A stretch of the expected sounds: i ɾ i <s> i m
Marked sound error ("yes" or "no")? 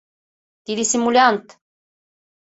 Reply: no